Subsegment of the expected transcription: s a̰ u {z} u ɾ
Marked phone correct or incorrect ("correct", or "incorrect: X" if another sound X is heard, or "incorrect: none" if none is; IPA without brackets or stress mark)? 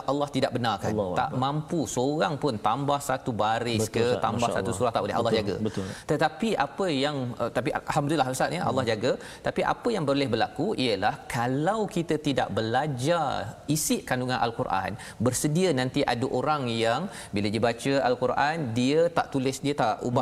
incorrect: s